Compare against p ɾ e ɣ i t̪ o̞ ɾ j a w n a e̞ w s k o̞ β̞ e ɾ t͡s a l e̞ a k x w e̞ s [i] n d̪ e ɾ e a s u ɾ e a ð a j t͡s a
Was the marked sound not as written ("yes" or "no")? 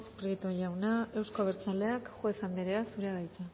yes